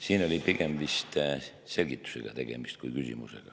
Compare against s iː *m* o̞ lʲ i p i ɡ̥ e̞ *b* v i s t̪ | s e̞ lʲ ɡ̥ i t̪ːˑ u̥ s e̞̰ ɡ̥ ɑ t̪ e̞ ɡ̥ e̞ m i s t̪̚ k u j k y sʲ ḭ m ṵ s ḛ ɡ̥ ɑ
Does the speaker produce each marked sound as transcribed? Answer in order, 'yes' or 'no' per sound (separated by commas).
no, no